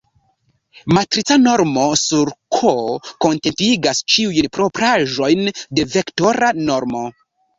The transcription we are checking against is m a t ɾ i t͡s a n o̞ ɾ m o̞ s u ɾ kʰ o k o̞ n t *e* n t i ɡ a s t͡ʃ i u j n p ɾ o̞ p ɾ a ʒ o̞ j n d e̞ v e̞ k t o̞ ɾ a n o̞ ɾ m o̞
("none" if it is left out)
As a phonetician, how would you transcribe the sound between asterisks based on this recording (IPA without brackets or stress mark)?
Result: e